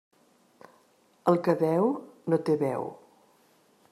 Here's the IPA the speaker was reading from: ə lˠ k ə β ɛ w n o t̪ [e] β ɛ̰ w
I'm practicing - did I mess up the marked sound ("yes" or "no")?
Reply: no